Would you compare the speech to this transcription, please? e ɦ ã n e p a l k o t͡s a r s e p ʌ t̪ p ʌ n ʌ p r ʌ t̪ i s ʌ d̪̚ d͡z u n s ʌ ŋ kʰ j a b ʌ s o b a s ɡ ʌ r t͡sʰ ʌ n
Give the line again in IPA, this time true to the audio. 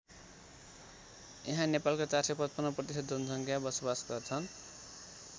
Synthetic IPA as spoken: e ɦ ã n e p a l k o t͡s a r s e p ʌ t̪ p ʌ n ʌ p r ʌ t̪ i s ʌ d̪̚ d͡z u n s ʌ ŋ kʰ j a b ʌ s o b a s ɡ ʌ r t͡sʰ ʌ n